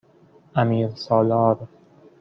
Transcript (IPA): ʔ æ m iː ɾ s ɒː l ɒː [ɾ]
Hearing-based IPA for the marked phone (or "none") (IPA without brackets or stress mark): ɾ